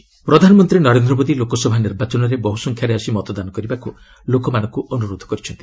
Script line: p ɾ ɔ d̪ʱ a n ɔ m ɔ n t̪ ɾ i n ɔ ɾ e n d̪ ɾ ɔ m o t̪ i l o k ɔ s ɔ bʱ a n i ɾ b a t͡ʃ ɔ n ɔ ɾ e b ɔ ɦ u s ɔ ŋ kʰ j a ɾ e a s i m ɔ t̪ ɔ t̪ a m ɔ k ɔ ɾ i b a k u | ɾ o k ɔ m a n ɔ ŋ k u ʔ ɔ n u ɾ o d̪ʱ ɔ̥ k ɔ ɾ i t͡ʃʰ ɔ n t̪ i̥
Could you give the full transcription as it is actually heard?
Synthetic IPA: p ɾ ɔ d̪ʱ a n ɔ m ɔ n t̪ ɾ i n ɔ ɾ e n d̪ ɾ ɔ m o d̪ i l o k ɔ s ɔ bʱ a n i ɾ b a t͡ʃ ɔ n ɔ ɾ e b ɔ ɦ u s ɔ ŋ kʰ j a ɾ e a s i m ɔ t̪ ɔ d̪ a n ɔ k ɔ ɾ i b a k u | l o k ɔ m a n ɔ ŋ k u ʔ ɔ n u ɾ o d̪ʱ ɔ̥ k ɔ ɾ i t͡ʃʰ ɔ n t̪ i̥